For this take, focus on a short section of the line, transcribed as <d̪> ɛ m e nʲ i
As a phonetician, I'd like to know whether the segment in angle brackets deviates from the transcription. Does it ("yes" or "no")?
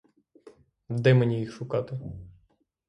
no